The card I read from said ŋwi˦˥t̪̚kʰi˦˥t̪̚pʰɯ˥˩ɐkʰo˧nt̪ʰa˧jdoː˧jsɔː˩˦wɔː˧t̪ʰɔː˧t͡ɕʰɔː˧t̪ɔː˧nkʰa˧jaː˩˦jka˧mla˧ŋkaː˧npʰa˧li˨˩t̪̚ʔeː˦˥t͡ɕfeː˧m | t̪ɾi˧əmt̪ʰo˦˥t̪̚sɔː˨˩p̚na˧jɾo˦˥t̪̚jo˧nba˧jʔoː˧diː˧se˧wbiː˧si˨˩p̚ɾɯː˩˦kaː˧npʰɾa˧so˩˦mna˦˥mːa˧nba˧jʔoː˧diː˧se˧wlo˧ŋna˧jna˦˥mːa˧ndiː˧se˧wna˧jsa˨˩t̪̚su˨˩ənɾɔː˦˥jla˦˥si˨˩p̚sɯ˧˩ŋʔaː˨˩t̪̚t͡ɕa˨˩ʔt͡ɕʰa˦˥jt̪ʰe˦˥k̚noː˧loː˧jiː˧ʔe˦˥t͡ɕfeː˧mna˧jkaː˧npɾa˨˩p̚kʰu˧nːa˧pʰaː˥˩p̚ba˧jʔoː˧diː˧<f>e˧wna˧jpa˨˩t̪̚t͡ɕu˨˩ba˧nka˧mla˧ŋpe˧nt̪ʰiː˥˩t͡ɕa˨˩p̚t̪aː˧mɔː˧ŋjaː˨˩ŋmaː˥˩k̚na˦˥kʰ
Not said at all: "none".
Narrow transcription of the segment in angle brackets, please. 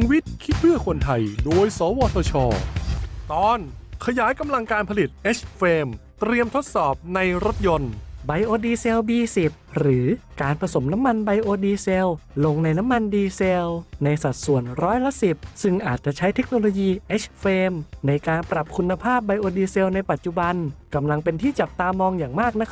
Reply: s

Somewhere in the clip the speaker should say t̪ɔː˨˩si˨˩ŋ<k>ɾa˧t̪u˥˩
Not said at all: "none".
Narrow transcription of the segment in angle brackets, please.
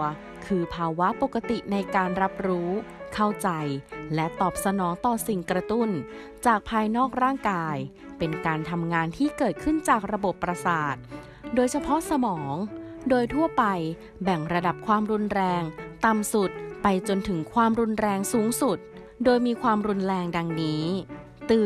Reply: k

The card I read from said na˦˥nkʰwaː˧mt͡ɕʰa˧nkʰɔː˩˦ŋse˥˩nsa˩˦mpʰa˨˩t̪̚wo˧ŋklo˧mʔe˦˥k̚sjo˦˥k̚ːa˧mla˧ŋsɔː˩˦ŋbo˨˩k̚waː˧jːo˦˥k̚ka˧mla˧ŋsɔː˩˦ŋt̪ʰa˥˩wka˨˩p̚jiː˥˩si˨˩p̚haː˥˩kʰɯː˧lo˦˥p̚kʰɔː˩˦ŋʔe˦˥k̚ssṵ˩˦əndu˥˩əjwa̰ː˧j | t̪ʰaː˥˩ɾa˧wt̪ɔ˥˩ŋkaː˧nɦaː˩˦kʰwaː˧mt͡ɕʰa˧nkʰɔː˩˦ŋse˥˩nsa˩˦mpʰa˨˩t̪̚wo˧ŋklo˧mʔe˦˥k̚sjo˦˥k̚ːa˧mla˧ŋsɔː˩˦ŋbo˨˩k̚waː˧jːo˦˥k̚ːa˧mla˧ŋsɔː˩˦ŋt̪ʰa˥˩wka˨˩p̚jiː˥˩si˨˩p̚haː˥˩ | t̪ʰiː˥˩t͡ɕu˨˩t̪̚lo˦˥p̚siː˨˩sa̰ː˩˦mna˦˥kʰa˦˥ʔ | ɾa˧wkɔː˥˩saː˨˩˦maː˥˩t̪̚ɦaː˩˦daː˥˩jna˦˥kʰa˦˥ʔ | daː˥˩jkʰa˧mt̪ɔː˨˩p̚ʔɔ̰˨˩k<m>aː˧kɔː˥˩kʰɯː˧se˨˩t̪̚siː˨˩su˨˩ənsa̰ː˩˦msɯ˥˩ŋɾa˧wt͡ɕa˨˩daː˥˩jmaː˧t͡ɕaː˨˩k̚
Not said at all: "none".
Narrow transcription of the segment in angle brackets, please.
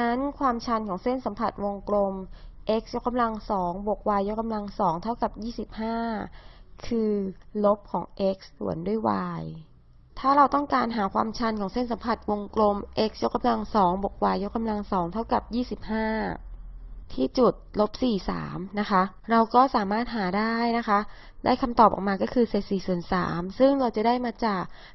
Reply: m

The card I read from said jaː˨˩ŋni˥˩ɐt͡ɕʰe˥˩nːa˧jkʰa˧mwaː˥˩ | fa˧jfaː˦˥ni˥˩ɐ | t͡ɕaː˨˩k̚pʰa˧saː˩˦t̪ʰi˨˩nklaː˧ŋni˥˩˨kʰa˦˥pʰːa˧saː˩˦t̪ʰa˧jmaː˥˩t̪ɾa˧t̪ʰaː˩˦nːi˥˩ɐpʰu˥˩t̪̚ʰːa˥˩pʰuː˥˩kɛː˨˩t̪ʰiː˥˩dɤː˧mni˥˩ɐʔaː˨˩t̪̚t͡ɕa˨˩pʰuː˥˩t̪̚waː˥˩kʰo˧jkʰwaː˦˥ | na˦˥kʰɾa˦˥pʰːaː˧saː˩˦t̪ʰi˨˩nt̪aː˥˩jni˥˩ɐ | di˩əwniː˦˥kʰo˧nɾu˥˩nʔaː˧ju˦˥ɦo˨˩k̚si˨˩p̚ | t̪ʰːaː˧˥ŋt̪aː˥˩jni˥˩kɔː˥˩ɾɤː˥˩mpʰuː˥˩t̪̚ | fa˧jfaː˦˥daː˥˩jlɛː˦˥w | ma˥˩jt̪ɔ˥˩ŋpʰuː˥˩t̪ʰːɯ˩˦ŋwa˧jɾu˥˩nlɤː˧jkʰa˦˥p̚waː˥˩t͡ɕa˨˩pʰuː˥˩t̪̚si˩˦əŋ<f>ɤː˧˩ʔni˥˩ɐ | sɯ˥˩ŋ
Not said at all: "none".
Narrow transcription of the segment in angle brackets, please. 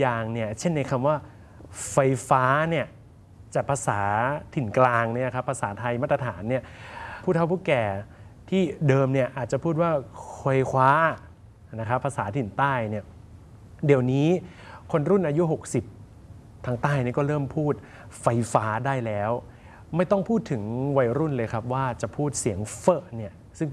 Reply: f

